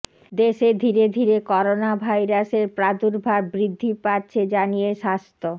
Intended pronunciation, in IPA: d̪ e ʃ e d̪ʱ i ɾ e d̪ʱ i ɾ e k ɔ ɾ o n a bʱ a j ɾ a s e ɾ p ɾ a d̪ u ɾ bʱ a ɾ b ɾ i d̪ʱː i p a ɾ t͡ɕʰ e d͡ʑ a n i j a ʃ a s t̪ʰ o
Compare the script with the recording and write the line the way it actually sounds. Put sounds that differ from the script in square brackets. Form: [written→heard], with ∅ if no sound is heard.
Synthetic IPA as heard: d̪ e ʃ e d̪ʱ i ɾ e d̪ʱ i ɾ e k ɔ ɾ o n a bʱ a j ɾ a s e ɾ p ɾ a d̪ u ɾ bʱ a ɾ b ɾ i d̪ʱː i p a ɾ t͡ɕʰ e d͡ʑ a n i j [a→e] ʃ a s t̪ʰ o